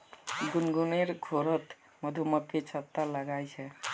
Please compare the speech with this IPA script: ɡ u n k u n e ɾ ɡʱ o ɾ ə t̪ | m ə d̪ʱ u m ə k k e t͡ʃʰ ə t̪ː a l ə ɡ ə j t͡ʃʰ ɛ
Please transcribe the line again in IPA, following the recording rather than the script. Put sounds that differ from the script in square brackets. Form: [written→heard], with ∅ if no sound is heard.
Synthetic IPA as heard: ɡ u n [k→ɡ] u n e ɾ ɡʱ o ɾ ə t̪ | m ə d̪ʱ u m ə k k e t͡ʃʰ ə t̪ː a l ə ɡ [ə→a] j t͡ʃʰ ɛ